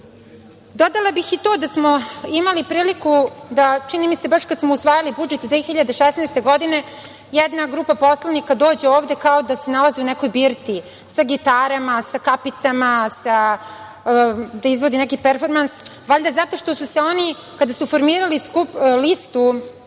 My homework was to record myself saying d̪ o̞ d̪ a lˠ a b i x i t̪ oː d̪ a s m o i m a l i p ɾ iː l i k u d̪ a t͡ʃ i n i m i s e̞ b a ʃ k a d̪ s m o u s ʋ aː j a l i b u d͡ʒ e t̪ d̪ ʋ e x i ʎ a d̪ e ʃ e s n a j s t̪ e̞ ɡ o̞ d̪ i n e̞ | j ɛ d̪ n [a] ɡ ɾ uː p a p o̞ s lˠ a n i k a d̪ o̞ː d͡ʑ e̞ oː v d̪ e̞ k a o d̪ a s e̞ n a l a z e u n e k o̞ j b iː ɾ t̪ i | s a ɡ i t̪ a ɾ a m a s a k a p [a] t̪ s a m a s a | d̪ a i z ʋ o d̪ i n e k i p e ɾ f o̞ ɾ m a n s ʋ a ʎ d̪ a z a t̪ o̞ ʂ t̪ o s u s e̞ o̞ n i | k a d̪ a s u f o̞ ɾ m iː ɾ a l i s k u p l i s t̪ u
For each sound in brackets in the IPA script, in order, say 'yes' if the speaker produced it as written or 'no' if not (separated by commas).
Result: yes, no